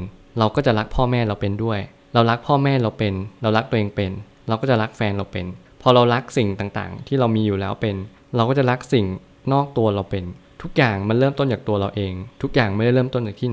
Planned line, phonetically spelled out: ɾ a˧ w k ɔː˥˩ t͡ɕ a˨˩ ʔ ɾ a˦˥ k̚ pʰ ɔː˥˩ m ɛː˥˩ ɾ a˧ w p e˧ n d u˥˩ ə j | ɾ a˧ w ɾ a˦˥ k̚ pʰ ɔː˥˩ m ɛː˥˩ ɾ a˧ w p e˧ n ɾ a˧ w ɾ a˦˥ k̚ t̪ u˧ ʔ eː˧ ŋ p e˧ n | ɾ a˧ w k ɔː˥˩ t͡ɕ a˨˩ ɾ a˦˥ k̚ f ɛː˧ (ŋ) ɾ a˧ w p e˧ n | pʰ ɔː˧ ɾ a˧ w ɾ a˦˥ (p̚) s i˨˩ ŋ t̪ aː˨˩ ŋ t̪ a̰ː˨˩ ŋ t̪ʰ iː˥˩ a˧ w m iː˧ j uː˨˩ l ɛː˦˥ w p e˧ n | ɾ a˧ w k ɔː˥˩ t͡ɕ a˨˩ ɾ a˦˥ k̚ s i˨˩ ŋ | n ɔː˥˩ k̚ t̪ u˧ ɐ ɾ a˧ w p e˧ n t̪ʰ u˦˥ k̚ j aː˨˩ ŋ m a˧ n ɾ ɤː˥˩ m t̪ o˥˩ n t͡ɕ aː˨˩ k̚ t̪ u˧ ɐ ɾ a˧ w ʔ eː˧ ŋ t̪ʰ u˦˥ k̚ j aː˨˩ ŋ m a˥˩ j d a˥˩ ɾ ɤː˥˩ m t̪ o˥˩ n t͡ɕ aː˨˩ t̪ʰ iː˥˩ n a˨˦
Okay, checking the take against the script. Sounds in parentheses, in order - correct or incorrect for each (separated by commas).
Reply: incorrect, incorrect